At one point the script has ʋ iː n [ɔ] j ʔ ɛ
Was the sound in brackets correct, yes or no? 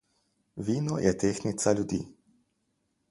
yes